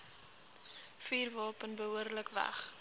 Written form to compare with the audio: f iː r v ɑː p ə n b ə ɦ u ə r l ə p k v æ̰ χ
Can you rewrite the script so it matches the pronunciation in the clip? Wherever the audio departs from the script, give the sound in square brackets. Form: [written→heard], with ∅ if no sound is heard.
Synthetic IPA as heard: f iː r v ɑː p ə n b ə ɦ u ə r l ə [p→∅] k v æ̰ χ